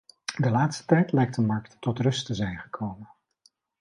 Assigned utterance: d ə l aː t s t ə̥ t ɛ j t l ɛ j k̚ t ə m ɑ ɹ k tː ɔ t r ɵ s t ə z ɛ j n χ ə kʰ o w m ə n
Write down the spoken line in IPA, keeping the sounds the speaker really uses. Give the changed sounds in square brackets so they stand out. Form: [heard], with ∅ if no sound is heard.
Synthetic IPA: d ə l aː t s t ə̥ t ɛ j t l ɛ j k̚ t ə m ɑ ɹ k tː ɔ t r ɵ s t ə z ɛ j n χ ə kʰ o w m ə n